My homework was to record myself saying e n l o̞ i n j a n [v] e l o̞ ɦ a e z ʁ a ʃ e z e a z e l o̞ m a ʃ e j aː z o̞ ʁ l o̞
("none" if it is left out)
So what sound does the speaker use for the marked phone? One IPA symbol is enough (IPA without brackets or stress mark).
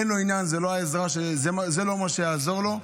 z